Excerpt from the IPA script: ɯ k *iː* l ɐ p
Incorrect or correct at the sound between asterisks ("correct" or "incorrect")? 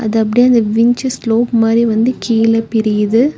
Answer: correct